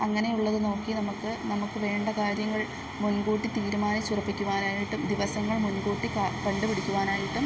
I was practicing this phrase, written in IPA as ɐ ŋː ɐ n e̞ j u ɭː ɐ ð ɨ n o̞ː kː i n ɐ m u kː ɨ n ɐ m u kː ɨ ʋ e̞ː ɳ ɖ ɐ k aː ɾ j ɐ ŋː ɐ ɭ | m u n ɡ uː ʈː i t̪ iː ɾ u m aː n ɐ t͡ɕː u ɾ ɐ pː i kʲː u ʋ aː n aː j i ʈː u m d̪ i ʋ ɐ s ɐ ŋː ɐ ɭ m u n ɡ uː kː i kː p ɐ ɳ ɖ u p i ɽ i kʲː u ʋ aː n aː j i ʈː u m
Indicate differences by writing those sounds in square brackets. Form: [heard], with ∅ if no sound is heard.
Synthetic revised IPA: ɐ ŋː ɐ n e̞ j u ɭː ɐ ð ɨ n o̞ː kː i n ɐ m u kː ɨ n ɐ m u kː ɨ ʋ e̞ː ɳ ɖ ɐ k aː ɾ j ɐ ŋː ɐ ɭ | m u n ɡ uː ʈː i t̪ iː ɾ u m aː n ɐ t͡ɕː u [r] ɐ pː i kʲː u ʋ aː n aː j i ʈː u m d̪ i ʋ ɐ s ɐ ŋː ɐ ɭ m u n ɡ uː [ʈː] i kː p ɐ ɳ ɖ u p i ɽ i kʲː u ʋ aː n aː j i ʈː u m